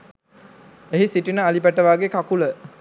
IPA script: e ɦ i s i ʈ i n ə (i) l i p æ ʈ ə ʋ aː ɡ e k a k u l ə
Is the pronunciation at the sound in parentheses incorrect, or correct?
incorrect